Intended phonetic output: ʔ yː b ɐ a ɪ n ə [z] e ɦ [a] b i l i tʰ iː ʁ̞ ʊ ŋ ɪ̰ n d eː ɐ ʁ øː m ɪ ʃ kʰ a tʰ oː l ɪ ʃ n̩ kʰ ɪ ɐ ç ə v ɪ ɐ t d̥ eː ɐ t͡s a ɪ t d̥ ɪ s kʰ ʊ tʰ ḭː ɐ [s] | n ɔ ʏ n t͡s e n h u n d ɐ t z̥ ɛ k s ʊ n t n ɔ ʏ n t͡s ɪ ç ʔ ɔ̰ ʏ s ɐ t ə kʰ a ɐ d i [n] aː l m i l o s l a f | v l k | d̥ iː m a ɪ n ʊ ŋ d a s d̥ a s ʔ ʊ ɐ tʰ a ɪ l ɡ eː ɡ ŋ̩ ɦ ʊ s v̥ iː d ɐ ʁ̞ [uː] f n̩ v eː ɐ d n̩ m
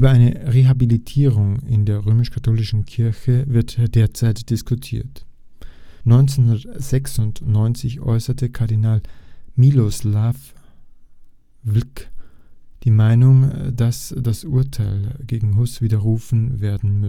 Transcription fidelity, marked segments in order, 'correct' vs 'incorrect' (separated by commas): incorrect, correct, incorrect, correct, correct